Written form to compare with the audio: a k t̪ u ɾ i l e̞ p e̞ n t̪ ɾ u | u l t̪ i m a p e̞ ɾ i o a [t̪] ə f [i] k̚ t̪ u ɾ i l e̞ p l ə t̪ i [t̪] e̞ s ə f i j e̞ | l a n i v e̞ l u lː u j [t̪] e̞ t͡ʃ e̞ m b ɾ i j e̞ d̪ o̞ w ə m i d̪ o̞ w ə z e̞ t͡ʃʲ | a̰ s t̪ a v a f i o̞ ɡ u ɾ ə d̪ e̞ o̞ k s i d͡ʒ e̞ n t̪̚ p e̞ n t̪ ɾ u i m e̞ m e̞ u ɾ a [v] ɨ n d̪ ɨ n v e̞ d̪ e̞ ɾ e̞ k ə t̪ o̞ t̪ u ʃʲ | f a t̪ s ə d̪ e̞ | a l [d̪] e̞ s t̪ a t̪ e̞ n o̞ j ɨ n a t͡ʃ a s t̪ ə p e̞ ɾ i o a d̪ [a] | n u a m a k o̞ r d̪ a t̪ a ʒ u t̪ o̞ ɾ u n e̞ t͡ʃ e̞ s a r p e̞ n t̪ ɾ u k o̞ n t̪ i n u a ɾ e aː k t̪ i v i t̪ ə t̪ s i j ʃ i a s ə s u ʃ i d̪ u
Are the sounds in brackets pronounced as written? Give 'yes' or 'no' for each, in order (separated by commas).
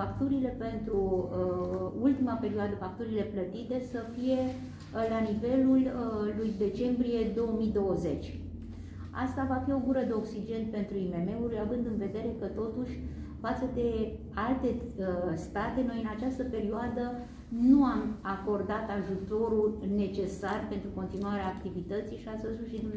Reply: no, no, yes, no, yes, no, no